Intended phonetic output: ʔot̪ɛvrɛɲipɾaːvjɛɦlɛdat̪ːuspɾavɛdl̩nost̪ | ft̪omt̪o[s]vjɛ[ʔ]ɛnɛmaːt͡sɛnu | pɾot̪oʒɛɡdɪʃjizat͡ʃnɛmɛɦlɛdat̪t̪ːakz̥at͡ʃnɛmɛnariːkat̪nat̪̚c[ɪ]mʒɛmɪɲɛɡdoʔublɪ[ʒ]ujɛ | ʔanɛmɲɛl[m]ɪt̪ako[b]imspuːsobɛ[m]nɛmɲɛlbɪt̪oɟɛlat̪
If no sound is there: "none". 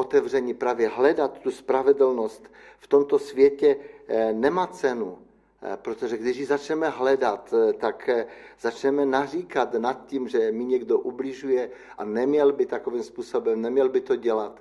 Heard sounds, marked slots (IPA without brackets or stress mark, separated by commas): s, c, i, ʒ, b, v, m